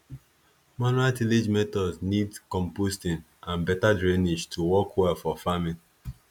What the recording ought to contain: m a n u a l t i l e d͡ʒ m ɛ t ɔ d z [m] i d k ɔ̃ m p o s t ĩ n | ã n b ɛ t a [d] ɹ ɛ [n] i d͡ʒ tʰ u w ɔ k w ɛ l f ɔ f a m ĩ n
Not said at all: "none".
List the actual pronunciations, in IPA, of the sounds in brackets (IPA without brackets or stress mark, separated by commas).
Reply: n, d, n